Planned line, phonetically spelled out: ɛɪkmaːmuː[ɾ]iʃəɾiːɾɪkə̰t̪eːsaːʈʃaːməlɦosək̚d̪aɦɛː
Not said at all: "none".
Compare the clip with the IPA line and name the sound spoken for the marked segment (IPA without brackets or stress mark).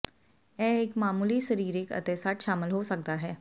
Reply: l